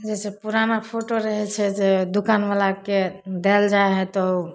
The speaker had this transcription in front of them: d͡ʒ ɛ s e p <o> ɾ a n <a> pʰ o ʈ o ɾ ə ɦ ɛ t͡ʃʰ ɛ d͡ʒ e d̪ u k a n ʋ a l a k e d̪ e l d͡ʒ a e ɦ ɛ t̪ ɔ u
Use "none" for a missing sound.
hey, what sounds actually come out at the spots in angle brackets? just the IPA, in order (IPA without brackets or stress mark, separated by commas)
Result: u, a